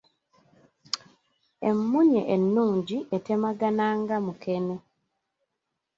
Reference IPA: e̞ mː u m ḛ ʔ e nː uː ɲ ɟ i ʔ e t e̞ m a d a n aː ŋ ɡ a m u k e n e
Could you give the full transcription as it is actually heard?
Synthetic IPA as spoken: e̞ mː u ɲ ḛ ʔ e nː uː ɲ ɟ i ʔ e t e̞ m a ɡ a n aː ŋ ɡ a m u k e n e

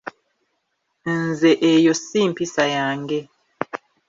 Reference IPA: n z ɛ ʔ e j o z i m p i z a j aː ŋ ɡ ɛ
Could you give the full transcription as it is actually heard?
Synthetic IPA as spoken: n z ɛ ʔ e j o s i m p i s a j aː ŋ ɡ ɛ

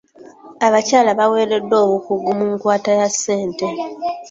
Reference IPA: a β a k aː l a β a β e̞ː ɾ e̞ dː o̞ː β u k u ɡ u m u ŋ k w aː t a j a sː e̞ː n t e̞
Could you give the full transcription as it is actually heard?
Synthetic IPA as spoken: a β a c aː l a β a w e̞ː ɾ e̞ dː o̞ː β u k u ɡ u m u ŋ k w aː t a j a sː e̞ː n t e̞

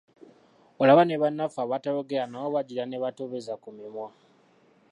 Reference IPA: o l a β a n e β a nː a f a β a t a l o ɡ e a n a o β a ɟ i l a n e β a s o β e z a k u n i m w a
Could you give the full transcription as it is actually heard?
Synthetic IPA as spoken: o l a β a n e β a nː a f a β a t a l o ɡ e a n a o β a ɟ i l a n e β a t o β e z a k u m i m w a

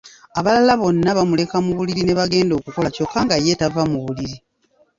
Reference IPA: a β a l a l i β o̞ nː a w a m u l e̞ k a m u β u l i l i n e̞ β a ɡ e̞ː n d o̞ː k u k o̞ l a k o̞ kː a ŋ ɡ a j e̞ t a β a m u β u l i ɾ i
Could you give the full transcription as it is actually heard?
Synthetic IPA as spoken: a β a l a l a β o̞ nː a β a m u l e̞ k a m u β u l i ɾ i n e̞ β a ɡ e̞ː n d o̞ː k u k o̞ l a c o̞ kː a ŋ ɡ a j e̞ t a v a m u β u l i ɾ i

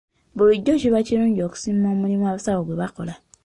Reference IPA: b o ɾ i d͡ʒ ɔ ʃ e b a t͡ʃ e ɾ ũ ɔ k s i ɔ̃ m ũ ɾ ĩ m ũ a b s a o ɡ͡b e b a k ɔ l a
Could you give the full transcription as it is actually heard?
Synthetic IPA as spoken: b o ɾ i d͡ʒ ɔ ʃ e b a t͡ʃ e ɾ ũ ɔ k s i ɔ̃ m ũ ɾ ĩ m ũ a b s a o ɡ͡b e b a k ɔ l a

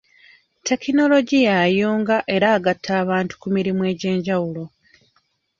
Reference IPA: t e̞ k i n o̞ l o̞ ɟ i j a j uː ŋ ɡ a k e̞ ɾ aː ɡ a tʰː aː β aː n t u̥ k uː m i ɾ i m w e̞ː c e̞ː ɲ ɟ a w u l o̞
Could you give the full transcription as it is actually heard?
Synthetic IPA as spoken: t e̞ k i n o̞ l o̞ ɟ i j a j uː ŋ ɡ a ʔ e̞ ɾ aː ɡ a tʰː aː β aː n t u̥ k u m i ɾ i m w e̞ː ɟ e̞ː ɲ ɟ a w u l o̞

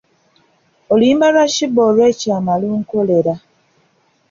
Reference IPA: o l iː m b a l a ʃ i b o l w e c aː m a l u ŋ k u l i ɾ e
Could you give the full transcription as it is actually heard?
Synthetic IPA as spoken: o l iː m b a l a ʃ i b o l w e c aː m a l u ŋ k o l e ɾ a

